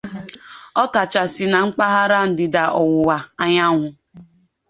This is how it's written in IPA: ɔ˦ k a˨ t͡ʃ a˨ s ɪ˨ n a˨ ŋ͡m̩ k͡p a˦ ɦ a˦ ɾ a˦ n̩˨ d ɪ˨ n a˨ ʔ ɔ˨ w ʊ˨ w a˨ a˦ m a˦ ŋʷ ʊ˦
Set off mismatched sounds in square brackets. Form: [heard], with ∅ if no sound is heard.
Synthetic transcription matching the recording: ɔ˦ k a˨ t͡ʃ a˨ s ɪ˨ n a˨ ŋ͡m̩ k͡p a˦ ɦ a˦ ɾ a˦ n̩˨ d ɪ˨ [d] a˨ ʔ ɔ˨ w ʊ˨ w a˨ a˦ [ɲ] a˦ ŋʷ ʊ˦